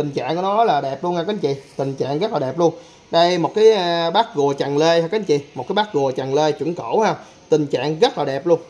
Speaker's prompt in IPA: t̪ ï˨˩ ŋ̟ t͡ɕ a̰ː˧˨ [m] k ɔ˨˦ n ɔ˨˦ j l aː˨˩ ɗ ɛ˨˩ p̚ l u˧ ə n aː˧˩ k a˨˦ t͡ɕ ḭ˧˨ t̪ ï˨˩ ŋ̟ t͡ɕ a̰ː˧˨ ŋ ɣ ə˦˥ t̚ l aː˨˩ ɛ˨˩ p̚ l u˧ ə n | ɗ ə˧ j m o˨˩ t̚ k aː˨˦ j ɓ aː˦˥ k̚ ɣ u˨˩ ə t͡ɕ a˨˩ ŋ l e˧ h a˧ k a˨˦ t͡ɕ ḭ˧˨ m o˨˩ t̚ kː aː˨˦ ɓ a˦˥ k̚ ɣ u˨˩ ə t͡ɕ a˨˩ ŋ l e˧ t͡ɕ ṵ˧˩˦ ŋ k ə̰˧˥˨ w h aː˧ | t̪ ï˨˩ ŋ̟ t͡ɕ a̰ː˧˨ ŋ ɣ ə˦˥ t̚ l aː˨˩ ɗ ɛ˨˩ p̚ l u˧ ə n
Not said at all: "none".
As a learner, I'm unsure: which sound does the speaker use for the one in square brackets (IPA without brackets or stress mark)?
ŋ